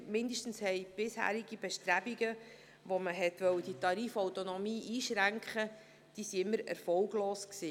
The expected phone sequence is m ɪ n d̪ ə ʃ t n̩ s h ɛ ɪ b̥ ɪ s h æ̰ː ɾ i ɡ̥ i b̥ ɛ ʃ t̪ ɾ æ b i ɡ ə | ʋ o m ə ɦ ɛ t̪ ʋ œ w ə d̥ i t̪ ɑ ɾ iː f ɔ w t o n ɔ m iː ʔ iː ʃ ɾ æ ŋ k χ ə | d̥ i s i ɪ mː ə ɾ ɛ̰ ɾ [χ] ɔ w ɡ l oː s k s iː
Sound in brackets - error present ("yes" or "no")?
yes